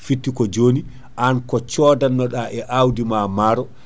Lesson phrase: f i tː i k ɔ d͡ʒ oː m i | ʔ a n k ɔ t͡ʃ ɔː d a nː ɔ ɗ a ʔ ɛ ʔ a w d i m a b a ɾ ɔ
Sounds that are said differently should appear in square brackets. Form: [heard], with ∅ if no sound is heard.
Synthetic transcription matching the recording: f i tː i k ɔ d͡ʒ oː [n] i | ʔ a n k ɔ t͡ʃ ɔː d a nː ɔ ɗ a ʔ ɛ ʔ a w d i m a [m] a ɾ ɔ